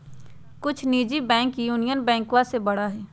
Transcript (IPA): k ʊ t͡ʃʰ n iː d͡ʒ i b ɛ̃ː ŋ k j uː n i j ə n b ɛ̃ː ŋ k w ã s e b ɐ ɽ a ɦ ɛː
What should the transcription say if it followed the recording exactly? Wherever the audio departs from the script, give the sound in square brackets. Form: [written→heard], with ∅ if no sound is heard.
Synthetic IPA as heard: k ʊ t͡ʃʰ n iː d͡ʒ i b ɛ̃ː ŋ k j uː n i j ə n b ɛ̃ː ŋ k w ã s e b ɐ ɽ a ɦ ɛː